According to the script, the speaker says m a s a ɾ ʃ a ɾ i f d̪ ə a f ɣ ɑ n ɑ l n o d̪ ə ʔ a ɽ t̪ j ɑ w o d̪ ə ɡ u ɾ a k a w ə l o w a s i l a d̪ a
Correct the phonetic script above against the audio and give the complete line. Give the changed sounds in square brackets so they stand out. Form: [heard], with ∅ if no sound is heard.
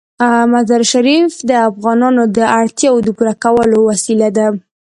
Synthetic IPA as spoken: m a [z] a ɾ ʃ a ɾ i f d̪ ə a f ɣ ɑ n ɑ [∅] n o d̪ ə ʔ a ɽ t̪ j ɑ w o d̪ ə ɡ u ɾ a k a w ə l o w a s i l a d̪ a